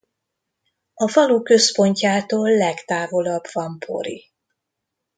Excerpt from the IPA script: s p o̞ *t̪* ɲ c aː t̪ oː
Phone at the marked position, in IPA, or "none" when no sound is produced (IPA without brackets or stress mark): none